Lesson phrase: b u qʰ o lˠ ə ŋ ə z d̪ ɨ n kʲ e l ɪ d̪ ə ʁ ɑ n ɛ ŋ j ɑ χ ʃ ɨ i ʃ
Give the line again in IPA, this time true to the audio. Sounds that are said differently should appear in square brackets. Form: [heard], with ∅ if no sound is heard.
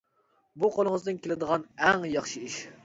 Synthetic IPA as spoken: b u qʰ o lˠ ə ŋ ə z d̪ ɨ n kʲ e l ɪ d̪ ə ʁ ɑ n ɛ ŋ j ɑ χ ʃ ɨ i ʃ